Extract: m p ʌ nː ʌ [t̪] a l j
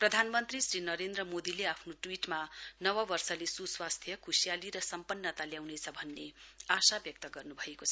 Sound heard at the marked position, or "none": t̪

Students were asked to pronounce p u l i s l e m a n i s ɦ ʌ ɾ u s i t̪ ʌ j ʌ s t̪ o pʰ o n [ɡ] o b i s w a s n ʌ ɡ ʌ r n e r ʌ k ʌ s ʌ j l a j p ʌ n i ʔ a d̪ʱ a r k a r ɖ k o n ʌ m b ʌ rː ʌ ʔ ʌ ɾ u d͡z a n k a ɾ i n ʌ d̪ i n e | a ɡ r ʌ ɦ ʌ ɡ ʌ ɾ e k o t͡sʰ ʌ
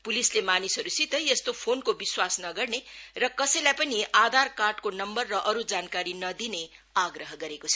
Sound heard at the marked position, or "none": k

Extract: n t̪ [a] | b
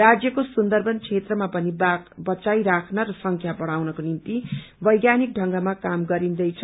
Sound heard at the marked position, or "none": i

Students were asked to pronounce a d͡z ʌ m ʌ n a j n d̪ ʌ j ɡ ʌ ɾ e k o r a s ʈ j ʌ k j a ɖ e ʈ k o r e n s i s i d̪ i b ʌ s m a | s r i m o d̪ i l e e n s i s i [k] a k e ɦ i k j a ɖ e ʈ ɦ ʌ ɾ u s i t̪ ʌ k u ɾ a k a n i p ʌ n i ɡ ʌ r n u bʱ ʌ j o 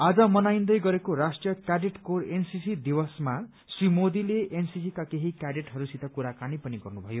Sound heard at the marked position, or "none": k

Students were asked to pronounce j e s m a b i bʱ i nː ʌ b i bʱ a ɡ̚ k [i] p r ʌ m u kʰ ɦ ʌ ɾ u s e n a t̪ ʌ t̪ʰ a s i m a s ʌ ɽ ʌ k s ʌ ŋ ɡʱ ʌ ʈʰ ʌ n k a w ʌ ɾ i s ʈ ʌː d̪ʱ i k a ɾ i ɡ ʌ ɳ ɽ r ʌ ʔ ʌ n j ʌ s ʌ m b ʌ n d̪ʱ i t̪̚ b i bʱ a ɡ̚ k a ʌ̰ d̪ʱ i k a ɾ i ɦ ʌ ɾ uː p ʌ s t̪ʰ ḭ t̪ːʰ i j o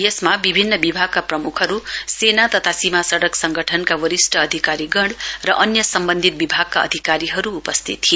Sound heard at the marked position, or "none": a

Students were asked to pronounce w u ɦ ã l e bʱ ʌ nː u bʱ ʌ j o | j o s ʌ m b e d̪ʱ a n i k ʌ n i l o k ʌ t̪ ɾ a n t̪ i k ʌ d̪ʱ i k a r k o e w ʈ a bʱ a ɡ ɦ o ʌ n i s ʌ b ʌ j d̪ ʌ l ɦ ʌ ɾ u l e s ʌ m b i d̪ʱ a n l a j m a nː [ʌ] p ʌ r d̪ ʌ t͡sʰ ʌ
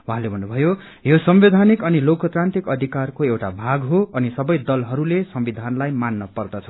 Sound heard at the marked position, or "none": ʌ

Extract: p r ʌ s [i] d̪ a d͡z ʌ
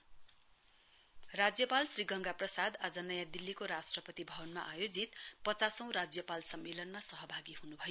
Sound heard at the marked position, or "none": a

